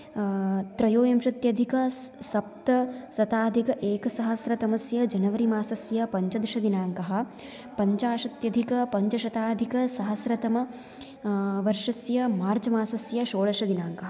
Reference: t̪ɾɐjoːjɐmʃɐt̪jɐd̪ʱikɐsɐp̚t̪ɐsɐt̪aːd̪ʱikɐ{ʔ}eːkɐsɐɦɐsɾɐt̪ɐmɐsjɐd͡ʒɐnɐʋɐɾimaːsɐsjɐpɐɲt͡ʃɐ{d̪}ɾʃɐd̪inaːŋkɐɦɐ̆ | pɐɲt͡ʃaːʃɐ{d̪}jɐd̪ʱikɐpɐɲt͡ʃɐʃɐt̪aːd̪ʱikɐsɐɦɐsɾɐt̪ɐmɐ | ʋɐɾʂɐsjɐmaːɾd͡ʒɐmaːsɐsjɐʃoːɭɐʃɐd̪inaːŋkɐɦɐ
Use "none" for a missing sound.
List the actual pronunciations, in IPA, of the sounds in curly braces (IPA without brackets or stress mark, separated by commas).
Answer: ʔ, d̪, t̪